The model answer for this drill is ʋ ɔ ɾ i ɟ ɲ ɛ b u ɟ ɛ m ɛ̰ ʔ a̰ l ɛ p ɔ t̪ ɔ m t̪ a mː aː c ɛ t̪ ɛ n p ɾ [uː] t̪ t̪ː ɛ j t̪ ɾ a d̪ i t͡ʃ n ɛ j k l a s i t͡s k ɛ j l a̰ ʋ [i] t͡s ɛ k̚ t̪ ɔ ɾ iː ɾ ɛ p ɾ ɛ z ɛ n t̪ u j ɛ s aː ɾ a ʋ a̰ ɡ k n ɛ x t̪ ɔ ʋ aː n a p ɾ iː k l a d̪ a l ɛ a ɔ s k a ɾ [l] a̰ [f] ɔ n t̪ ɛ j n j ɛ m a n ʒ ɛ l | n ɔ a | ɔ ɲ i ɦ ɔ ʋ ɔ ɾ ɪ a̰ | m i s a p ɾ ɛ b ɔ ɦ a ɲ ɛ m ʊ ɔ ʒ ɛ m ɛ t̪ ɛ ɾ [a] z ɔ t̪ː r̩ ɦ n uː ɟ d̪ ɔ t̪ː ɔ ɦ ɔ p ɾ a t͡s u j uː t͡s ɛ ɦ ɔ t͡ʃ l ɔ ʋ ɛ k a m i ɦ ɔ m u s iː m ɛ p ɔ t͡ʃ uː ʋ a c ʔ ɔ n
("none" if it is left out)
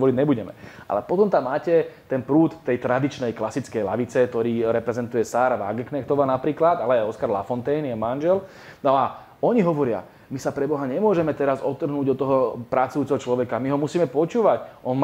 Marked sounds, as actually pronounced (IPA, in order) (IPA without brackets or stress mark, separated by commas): uː, i, l, f, a